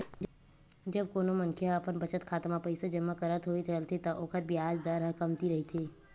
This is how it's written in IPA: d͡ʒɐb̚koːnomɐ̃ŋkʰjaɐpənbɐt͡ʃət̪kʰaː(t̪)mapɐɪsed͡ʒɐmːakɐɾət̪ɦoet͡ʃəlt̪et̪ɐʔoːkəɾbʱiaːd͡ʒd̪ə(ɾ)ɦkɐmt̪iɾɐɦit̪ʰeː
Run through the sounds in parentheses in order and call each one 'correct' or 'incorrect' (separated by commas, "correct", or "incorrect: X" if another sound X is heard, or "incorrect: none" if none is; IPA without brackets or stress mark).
correct, correct